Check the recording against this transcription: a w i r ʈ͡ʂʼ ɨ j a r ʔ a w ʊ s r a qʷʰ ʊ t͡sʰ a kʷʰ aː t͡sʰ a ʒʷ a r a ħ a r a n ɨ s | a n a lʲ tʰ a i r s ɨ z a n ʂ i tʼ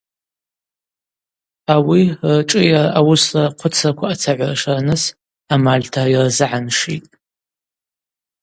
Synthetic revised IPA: a w i r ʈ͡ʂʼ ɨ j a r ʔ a w ʊ s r a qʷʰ ʊ t͡sʰ a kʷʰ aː t͡sʰ a ʕʷ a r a ʂ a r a n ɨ s | a m a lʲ tʰ a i r z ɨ ʕ a n ʂ i tʼ

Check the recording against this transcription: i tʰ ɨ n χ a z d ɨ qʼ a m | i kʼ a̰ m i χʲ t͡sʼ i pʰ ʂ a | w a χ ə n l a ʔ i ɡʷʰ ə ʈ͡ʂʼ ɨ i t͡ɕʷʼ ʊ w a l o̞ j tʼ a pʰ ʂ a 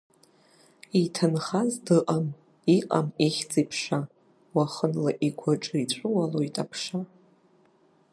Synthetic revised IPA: i tʰ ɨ n χ a z d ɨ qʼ a m | i qʼ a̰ m i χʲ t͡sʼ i pʰ ʂ a | w a χ ə n l a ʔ i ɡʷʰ a ʈ͡ʂʼ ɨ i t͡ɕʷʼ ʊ w a l o̞ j tʼ a pʰ ʂ a

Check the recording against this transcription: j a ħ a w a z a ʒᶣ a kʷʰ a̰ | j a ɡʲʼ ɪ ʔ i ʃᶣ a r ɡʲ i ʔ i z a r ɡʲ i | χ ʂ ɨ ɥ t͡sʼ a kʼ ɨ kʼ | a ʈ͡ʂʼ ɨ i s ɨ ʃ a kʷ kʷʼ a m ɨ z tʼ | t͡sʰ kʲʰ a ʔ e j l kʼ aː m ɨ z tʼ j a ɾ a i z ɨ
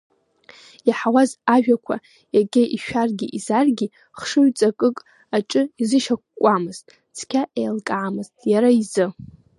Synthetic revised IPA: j a ħ a w a z a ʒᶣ a kʷʰ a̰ | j a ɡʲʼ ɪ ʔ i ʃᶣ a r ɡʲ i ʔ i z a r ɡʲ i | χ ʂ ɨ ɥ t͡sʼ a kʼ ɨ kʼ | a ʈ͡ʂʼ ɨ i z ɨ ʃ a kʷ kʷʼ a m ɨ z tʼ | t͡sʰ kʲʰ a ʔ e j l kʼ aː m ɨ z tʼ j a ɾ a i z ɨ

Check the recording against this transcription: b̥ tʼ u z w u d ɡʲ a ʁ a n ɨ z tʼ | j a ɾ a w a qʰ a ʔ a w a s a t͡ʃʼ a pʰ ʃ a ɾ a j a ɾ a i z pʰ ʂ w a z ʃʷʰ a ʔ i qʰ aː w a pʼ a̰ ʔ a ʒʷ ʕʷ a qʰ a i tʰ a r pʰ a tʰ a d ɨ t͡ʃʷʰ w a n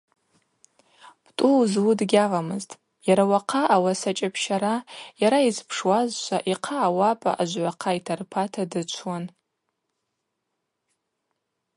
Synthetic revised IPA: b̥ tʼ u z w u d ɡʲ a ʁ a m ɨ z tʼ | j a ɾ a w a qʰ a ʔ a w a s a t͡ʃʼ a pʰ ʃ a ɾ a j a ɾ a i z pʰ ʂ w a z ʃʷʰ a ʔ i qʰ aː w a pʼ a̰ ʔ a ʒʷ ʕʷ a qʰ a i tʰ a r pʰ a tʰ a d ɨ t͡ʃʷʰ w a n

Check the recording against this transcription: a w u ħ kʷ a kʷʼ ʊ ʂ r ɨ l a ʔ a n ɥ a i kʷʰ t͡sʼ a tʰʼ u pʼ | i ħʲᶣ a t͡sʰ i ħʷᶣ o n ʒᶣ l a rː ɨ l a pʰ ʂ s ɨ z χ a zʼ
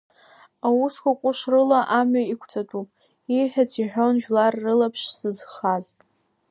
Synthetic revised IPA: a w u s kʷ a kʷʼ ʊ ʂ r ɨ l a ʔ a m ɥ a i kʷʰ t͡sʼ a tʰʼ u pʼ | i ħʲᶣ a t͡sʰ i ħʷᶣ o n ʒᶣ l a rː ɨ l a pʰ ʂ s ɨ z χ a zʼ

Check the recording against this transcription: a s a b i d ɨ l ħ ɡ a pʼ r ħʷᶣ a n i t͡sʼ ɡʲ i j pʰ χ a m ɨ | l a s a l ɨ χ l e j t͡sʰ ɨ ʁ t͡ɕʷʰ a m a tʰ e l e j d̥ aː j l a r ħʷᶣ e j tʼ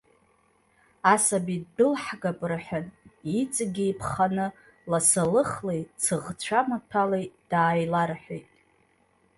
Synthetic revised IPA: a s a b i d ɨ l ħ ɡ a pʼ r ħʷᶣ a n i t͡sʼ ɡʲ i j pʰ χ a n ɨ | l a s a l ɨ χ l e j t͡sʰ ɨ ʁ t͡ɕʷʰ a m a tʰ a l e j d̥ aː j l a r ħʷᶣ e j tʼ

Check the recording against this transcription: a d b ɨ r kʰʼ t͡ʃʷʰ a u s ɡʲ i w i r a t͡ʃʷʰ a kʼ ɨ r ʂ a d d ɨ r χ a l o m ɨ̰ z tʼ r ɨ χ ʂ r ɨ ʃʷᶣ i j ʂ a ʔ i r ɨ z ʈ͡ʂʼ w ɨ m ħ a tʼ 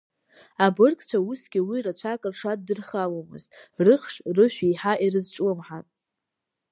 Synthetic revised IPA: a b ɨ r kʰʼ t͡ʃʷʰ a u s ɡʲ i w i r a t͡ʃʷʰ a kʼ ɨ r ʂ a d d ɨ r χ a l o m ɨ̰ z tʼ r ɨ χ ʂ r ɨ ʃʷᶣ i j ħ a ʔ i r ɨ z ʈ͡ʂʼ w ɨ m ħ a tʼ

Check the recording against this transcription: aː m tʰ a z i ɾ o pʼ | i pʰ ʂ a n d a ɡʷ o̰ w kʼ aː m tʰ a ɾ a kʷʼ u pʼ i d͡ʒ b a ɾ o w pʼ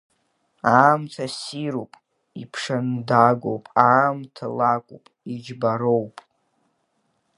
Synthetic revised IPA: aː m tʰ a s i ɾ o pʼ | i pʰ ʂ a n d a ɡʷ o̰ w pʼ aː m tʰ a l a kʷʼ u pʼ i d͡ʒ b a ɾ o w pʼ

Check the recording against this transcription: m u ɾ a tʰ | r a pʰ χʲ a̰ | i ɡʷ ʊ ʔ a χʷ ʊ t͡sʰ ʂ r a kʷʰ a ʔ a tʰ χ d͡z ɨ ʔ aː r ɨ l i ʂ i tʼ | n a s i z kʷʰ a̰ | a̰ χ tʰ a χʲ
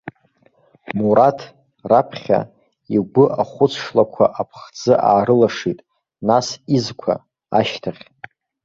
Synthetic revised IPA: m u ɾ a tʰ | r a pʰ χʲ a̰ | i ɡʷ ʊ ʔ a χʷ ʊ t͡sʰ ʂ l a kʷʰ a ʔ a pʰ χ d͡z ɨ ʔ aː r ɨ l a ʂ i tʼ | n a s i z kʷʰ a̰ | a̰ ʃ tʰ a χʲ

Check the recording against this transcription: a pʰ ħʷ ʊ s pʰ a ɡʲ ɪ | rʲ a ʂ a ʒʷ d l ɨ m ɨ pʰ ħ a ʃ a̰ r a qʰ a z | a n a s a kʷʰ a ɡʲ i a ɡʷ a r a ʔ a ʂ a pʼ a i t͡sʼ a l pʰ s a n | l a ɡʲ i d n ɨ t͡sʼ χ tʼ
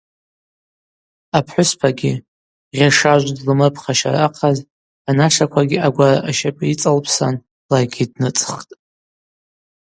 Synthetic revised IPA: a pʰ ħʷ ʊ s pʰ a ɡʲ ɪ | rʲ a ʂ a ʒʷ d l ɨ m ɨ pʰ χ a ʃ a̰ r a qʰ a z | a n a ʂ a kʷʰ a ɡʲ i a ɡʷ a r a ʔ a ʃ a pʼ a i t͡sʼ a l pʰ s a n | l a ɡʲ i d n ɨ t͡sʼ χ tʼ

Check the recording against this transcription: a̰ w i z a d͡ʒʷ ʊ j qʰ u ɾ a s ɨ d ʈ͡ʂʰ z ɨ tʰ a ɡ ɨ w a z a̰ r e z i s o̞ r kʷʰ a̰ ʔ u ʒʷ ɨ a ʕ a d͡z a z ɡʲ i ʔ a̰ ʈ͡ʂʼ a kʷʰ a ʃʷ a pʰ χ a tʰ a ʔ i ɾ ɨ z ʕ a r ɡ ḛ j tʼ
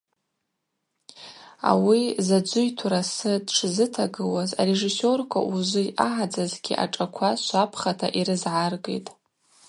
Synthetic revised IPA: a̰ w i z a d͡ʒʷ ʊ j tʰ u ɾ a s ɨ d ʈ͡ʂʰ z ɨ tʰ a ɡ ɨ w a z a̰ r e ʐ i s o̞ r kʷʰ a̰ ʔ u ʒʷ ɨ a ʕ a d͡z a z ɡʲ i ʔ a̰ ʈ͡ʂʼ a kʷʰ a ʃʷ a pʰ χ a tʰ a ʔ i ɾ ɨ z ʕ a r ɡ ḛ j tʼ

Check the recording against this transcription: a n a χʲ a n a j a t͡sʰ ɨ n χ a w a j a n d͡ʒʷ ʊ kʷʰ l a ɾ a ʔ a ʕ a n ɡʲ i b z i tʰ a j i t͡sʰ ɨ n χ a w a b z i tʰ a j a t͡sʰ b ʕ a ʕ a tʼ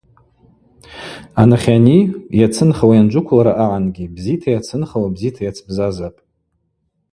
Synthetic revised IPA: a n a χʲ a n i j a t͡sʰ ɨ n χ a w a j a n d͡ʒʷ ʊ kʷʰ l a ɾ a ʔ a ʕ a n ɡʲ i b z i tʰ a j a t͡sʰ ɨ n χ a w a b z i tʰ a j a t͡sʰ b z a z a pʼ

